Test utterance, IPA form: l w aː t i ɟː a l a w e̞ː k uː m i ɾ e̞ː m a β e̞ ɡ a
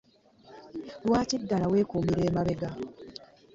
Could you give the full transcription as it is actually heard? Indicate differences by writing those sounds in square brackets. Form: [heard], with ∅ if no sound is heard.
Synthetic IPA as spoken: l w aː [c] i [dː] a l a w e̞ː k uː m i ɾ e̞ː m a β e̞ ɡ a